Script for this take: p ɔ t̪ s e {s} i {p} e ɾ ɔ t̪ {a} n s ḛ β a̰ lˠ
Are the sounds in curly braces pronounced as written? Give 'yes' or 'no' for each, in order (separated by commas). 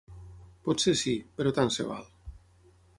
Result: yes, yes, yes